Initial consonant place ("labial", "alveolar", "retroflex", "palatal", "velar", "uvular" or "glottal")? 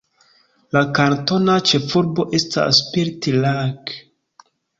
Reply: alveolar